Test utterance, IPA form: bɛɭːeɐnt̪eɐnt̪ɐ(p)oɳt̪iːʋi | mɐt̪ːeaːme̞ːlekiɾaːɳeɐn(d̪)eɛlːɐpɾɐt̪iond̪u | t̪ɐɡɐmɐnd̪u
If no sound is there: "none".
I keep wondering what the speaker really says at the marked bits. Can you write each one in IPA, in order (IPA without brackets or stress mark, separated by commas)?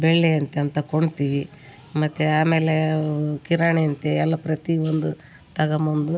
k, t̪